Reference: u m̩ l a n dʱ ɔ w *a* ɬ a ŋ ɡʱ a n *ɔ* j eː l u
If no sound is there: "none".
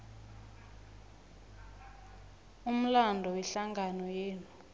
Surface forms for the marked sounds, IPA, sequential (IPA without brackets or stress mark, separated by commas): ɛ, ɔ